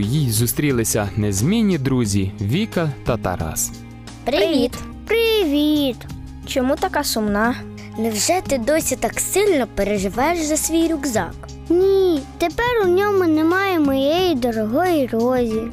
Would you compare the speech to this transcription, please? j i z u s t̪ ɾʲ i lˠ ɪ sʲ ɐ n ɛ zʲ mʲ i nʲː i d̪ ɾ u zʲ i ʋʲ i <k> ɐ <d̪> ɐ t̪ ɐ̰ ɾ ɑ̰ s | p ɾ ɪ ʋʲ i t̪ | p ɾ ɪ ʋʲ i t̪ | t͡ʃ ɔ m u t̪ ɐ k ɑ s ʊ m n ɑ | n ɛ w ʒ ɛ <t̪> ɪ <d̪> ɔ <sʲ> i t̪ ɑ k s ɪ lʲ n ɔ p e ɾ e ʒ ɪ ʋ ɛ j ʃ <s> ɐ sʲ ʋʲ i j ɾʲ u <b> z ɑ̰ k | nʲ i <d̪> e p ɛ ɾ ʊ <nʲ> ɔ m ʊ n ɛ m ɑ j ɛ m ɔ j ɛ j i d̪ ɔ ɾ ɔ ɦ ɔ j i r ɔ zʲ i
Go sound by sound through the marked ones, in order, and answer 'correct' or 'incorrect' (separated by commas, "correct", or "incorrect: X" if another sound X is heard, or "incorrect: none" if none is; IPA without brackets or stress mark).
correct, incorrect: t̪, correct, correct, correct, incorrect: z, incorrect: ɡ, incorrect: t̪, correct